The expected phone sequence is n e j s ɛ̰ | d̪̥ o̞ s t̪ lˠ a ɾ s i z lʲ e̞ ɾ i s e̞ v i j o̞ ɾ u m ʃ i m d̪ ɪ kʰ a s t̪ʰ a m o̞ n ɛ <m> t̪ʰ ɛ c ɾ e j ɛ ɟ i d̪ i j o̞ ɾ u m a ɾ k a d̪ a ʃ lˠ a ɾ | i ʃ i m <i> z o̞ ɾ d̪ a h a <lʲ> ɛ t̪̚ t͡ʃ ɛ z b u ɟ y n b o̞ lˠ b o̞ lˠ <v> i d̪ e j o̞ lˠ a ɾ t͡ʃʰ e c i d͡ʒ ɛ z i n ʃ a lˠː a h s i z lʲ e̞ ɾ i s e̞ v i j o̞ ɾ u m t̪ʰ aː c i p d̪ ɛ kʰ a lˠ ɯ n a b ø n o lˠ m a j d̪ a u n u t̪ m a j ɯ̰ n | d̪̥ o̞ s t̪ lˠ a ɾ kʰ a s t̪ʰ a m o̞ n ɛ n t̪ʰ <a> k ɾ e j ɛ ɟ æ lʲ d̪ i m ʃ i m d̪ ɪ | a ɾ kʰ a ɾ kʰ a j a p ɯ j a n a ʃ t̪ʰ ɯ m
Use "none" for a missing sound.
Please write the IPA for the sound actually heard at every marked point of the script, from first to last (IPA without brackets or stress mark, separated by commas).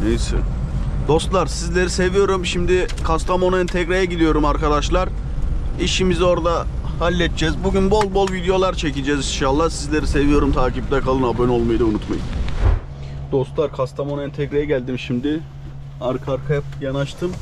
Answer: n, i, lʲː, v, ɛ